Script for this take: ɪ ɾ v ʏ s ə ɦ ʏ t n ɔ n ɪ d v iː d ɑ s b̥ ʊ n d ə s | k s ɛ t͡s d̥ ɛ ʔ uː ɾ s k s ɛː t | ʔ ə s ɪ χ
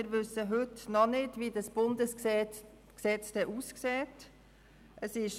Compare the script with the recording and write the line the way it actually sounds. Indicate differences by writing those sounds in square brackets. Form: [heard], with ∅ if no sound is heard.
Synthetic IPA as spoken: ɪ ɾ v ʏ s ə ɦ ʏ t n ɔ n ɪ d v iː d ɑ s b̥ ʊ n d ə s | k s ɛ t͡s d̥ ɛ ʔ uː [∅] s k s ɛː t | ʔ ə s ɪ [ʃ]